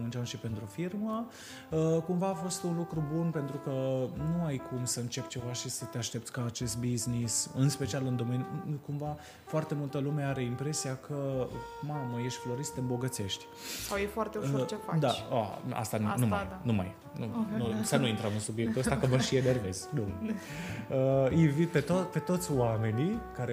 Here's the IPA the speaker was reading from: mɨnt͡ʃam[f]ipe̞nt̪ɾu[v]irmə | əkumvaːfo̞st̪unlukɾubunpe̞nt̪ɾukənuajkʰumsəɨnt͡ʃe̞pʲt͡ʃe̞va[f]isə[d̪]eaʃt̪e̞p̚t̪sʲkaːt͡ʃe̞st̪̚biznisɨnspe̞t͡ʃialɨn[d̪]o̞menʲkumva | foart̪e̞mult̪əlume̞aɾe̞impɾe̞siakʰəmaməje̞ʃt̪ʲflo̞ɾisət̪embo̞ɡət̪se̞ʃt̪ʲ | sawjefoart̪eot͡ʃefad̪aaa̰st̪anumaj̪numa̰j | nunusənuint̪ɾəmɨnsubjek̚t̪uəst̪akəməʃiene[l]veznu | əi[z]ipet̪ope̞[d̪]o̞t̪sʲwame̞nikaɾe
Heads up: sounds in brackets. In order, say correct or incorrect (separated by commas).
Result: incorrect, incorrect, incorrect, incorrect, correct, incorrect, incorrect, incorrect